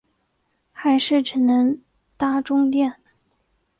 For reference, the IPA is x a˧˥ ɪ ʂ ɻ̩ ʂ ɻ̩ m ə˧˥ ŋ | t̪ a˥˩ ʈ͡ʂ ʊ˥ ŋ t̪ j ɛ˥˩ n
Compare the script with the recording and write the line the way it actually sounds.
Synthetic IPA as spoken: x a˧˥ ɪ ʂ ɻ̩ ʈ͡ʂ ɻ̩ n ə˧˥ ŋ | t̪ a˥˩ ʈ͡ʂ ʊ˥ ŋ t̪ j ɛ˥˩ n